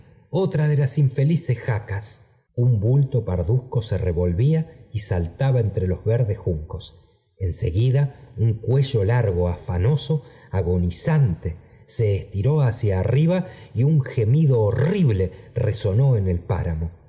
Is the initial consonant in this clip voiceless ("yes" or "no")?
yes